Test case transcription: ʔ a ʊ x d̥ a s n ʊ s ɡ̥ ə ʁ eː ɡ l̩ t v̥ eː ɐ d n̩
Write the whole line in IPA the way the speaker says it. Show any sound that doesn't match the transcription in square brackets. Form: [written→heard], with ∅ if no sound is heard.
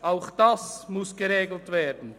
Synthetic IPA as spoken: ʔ a ʊ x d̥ a s [n→m] ʊ s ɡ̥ ə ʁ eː ɡ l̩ t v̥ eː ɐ d n̩